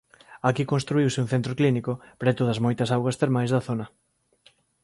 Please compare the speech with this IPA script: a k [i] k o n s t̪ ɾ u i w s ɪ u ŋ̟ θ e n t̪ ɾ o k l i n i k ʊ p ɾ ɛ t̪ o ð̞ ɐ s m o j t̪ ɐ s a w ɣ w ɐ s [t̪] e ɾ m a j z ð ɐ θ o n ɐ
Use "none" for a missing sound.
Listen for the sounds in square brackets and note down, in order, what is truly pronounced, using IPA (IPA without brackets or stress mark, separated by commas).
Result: i, t̪